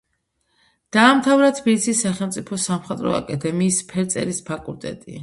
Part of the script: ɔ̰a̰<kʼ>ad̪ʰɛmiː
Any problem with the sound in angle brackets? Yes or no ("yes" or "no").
no